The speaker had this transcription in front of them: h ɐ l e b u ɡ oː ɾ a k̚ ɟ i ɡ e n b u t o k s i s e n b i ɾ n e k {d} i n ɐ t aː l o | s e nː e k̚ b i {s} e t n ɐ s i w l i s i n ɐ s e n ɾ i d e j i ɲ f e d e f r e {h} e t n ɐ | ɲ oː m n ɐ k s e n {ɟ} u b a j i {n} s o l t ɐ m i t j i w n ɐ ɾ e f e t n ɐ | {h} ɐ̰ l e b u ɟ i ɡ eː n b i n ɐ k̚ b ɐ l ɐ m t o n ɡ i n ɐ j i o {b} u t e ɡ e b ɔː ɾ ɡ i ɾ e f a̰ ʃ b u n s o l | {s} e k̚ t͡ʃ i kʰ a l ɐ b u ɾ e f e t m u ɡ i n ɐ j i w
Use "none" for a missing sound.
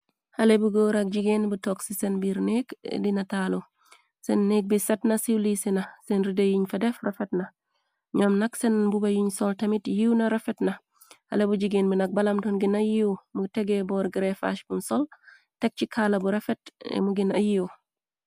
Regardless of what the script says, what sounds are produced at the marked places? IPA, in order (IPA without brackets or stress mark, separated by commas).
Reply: d, s, f, b, ɲ, h, m, t